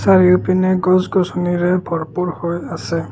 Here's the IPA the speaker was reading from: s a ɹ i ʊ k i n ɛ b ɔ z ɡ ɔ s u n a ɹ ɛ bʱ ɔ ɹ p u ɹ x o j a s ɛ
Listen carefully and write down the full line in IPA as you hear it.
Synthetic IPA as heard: s a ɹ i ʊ p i n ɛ ɡ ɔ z ɡ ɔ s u n i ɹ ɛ bʱ ɔ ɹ p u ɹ h o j a s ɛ